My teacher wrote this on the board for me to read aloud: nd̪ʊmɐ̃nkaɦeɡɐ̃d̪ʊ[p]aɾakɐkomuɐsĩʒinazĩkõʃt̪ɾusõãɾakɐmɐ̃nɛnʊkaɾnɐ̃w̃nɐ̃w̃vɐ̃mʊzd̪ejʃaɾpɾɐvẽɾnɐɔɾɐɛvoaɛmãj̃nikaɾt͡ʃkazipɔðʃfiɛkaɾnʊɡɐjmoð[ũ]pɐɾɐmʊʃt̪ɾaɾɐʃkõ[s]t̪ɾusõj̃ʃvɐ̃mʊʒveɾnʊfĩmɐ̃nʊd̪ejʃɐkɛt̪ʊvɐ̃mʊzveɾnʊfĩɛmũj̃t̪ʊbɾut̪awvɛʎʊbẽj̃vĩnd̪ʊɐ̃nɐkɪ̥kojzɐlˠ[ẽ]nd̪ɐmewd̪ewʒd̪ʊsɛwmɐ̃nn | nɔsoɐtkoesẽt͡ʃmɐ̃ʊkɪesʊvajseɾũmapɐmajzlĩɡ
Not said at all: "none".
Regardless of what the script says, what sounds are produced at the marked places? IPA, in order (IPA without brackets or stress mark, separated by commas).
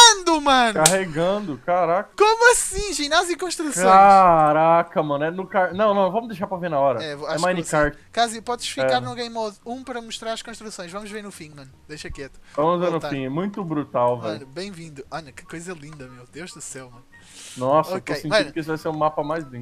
k, ũ, ʃ, ĩ